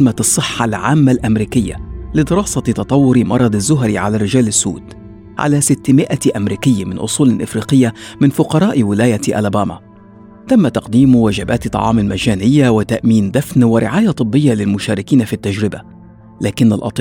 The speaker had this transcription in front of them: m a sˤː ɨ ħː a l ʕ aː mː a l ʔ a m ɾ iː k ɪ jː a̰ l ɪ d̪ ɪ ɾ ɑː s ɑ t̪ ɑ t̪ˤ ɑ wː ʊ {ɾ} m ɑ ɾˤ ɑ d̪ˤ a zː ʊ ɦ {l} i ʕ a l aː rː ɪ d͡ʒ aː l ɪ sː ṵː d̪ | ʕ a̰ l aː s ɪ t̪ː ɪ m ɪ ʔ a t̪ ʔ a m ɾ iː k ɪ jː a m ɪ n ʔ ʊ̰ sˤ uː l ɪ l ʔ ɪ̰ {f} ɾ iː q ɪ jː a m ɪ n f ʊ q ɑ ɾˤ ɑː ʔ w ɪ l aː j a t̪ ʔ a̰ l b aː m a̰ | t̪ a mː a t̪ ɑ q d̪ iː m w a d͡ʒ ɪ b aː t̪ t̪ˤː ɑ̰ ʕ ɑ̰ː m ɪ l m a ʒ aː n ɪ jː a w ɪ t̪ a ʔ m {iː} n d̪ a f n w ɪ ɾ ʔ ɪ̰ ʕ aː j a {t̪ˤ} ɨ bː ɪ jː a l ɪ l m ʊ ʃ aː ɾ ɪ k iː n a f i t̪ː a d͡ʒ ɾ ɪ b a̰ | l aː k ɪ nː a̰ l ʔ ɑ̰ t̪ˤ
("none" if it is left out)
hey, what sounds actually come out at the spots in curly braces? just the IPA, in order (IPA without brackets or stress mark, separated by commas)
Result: ɾ, ɾ, f, iː, t̪ˤ